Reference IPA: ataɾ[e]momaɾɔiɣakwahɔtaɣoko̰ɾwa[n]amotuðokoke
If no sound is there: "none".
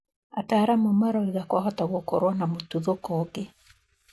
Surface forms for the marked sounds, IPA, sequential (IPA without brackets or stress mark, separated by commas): a, n